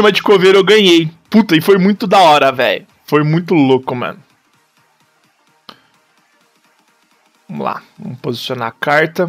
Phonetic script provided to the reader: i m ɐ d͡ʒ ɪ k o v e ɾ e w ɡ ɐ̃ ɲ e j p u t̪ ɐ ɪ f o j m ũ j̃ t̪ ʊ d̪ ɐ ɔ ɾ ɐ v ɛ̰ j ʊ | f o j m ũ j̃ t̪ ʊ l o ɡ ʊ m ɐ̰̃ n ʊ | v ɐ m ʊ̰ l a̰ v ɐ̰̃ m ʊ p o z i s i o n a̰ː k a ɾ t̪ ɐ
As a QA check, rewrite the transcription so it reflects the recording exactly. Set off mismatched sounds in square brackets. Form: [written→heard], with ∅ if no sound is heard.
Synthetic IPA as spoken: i m ɐ d͡ʒ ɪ k o v e ɾ e w ɡ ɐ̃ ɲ e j p u t̪ ɐ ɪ f o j m ũ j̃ t̪ ʊ d̪ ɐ ɔ ɾ ɐ v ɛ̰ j ʊ | f o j m ũ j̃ t̪ ʊ l o [ɡ→k] ʊ m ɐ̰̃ n ʊ | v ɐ m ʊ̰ l a̰ v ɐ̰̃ m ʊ p o z i s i o n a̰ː k a ɾ t̪ ɐ